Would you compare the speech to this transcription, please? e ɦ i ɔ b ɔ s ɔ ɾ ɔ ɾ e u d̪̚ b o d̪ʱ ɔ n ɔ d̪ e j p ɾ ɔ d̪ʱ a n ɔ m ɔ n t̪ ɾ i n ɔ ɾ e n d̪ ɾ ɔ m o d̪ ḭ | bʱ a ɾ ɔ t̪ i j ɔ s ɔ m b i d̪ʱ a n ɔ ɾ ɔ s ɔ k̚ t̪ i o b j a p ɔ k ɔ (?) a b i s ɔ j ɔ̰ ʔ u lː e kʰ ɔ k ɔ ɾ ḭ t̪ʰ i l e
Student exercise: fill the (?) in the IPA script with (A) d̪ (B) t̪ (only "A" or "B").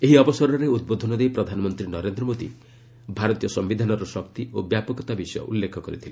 B